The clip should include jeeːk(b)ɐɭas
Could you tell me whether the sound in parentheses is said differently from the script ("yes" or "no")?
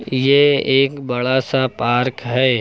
no